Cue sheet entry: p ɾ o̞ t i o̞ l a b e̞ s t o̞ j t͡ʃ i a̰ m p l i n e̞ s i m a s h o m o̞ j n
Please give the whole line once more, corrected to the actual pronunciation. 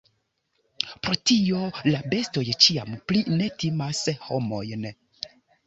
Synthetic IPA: p ɾ o̞ t i o̞ l a b e̞ s t o̞ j t͡ʃ i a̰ m p l i n e̞ t i m a s h o m o̞ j n